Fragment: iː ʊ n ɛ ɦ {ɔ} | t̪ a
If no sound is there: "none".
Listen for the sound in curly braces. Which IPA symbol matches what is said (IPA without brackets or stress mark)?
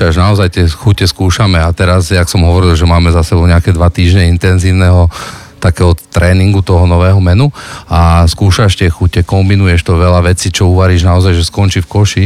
ɔ